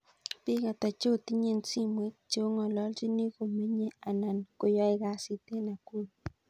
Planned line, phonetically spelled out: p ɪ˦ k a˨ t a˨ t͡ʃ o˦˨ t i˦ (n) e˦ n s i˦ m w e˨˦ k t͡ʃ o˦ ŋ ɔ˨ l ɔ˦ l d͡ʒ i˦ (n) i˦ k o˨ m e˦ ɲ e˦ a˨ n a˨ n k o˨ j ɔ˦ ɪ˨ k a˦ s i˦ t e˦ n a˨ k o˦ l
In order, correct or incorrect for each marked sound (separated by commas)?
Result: incorrect, correct